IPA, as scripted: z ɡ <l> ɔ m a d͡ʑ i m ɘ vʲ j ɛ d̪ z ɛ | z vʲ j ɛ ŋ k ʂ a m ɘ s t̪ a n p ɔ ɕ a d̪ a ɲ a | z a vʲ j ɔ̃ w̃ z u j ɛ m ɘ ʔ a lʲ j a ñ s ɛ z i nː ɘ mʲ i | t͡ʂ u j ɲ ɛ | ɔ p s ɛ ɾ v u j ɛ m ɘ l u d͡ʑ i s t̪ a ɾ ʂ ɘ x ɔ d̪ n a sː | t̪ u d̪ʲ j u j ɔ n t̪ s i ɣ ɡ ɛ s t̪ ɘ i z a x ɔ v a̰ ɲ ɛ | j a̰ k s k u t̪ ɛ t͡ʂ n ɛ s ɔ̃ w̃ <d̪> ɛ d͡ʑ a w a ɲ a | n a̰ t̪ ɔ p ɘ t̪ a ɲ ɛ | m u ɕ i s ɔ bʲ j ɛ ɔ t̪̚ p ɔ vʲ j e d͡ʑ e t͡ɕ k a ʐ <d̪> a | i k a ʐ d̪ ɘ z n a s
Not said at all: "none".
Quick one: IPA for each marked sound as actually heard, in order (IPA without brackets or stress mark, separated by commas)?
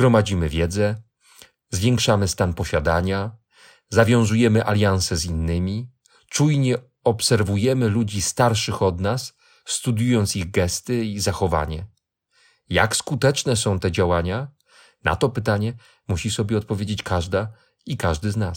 ɾ, t̪, d̪